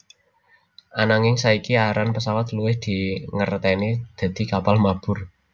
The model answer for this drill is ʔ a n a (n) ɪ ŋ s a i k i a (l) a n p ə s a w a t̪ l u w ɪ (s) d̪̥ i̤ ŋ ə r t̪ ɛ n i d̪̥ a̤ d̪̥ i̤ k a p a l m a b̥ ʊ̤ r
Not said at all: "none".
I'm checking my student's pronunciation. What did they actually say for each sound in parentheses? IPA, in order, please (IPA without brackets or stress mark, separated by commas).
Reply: ŋ, ɾ, h